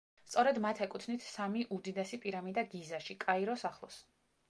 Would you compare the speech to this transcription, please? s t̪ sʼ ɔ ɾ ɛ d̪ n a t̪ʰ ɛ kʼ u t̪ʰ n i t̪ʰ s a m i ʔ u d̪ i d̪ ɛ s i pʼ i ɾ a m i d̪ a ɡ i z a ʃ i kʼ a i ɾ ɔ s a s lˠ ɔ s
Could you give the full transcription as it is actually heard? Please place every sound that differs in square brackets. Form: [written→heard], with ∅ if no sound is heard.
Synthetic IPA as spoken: s t̪ sʼ ɔ ɾ ɛ d̪ [n→m] a t̪ʰ ɛ kʼ u t̪ʰ n i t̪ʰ s a m i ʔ u d̪ i d̪ ɛ s i pʼ i ɾ a m i d̪ a ɡ i z a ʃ i kʼ a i ɾ ɔ s a [s→χ] lˠ ɔ s